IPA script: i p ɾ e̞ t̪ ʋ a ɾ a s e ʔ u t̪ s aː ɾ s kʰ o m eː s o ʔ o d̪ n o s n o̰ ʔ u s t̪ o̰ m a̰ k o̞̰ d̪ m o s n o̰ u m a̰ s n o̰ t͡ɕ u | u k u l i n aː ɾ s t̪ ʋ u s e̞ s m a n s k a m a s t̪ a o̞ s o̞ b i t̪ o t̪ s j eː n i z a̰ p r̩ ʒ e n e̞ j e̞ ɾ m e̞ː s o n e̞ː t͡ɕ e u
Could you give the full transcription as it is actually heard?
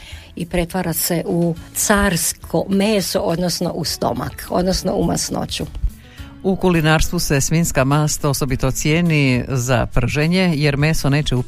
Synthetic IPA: i p ɾ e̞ t̪ ʋ a ɾ a s e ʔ u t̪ s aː ɾ s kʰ o m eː s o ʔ o d̪ n o s n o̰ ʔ u s t̪ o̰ m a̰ k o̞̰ d̪ n o s n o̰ u m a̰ s n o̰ t͡ɕ u | u k u l i n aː ɾ s t̪ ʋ u s e̞ s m i n s k a m a s t̪ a o̞ s o̞ b i t̪ o t̪ s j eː n i z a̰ p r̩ ʒ e ɲ e̞ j e̞ ɾ m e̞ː s o n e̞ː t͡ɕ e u